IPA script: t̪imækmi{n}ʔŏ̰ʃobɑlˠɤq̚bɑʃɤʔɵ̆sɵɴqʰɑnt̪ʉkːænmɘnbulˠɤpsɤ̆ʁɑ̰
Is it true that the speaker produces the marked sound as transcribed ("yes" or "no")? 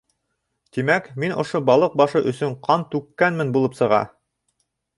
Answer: yes